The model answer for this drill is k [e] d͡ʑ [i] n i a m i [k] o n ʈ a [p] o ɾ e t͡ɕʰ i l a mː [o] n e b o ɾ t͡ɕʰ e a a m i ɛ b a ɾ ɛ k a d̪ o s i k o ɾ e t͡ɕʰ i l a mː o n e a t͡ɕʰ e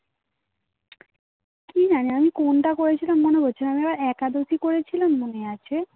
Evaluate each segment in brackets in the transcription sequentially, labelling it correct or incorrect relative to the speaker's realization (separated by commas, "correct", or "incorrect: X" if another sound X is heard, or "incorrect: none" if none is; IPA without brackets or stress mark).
incorrect: i, incorrect: a, correct, incorrect: k, correct